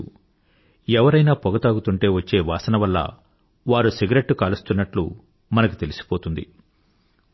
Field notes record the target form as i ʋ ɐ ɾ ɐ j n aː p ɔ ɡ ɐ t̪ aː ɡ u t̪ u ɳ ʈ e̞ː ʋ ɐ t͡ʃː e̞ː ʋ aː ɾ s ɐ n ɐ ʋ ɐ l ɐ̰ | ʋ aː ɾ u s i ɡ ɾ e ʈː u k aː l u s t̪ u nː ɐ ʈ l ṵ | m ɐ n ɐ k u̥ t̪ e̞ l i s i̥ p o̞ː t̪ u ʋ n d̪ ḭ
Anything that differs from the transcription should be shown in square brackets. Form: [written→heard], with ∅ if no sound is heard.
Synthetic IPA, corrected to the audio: [i→ɛ] ʋ ɐ ɾ ɐ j n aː p ɔ ɡ ɐ t̪ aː ɡ u t̪ u ɳ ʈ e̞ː ʋ ɐ t͡ʃː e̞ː ʋ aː [ɾ→∅] s ɐ n ɐ ʋ ɐ [l→lː] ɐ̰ | ʋ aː ɾ u s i ɡ ɾ e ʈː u k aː l u s t̪ u nː ɐ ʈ l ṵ | m ɐ n ɐ k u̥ t̪ e̞ l i s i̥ p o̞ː t̪ u [ʋ→∅] n d̪ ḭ